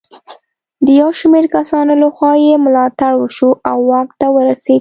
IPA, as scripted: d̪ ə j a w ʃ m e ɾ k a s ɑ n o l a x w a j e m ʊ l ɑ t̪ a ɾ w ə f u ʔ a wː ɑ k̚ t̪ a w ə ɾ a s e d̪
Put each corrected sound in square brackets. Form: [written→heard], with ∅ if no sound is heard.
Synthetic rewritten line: d̪ ə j a w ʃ m e ɾ k a s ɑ n o l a x w [a→ɑ] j e m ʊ l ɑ t̪ a [ɾ→ɽ] w ə [f→ʃ] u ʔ a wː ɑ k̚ t̪ a w ə ɾ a s e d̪